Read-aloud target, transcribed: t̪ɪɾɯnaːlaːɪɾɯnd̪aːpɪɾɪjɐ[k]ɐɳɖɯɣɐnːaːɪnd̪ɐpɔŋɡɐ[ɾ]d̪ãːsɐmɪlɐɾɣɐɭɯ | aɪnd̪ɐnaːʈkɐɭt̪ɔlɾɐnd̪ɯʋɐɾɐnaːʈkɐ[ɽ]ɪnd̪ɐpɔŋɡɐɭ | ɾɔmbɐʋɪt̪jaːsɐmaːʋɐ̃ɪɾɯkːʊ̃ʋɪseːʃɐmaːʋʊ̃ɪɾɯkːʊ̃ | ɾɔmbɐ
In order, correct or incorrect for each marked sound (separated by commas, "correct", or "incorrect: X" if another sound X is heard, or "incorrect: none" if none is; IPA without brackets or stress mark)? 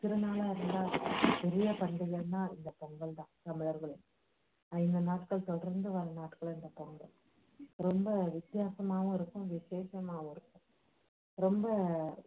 incorrect: p, incorrect: ɭ, incorrect: ɭ